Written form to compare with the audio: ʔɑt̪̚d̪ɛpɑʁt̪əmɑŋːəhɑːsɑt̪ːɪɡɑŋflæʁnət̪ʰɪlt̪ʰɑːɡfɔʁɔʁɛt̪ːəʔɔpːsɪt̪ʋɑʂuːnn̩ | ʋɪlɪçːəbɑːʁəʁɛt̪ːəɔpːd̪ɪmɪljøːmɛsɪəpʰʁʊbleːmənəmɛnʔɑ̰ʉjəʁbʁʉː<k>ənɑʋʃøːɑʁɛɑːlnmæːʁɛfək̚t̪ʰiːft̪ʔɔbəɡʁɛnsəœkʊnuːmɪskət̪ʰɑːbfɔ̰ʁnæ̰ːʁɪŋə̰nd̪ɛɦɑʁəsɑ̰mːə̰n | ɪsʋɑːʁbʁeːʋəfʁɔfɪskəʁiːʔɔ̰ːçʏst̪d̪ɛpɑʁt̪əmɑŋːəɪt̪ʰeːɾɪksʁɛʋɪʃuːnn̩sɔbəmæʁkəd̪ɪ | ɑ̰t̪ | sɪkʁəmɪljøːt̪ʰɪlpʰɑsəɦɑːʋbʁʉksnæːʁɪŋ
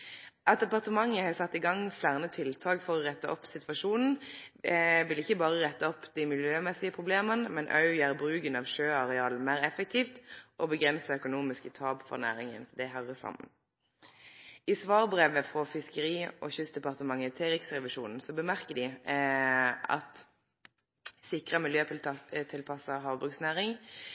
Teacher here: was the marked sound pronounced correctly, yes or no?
no